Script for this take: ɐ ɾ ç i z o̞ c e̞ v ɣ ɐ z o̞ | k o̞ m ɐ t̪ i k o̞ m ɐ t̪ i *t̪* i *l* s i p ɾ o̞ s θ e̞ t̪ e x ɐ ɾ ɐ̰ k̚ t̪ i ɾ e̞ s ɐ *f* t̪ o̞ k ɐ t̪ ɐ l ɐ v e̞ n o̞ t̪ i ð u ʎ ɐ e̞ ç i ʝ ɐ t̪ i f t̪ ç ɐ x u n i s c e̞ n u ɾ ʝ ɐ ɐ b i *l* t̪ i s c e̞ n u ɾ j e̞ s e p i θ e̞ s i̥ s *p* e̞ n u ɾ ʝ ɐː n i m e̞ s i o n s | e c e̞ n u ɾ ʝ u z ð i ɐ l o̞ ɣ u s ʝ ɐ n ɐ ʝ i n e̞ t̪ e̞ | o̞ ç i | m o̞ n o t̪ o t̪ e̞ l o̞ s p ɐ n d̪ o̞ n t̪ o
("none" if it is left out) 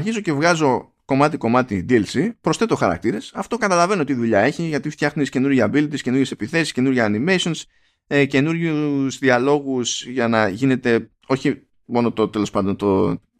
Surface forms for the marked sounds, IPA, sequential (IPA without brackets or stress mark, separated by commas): d̪, l, f, l, c